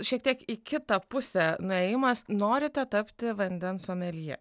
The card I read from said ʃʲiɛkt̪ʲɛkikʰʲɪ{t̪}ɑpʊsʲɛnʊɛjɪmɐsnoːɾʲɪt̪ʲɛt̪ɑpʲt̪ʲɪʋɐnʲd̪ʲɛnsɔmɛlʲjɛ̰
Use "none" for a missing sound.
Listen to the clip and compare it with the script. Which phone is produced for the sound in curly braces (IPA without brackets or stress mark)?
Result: t̪